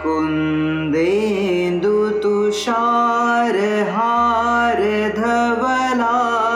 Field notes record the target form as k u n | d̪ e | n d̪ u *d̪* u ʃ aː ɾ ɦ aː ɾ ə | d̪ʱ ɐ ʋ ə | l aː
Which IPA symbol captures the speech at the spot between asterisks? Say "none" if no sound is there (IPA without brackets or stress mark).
t̪